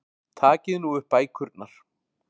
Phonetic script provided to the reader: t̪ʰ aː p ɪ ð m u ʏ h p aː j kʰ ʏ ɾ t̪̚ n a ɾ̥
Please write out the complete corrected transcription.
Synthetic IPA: t̪ʰ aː c ɪ ð n u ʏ h p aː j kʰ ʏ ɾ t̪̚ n a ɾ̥